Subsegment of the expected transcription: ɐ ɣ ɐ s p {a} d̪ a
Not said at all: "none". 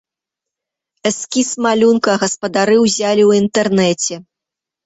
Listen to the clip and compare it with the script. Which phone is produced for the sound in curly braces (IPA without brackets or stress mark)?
ɐ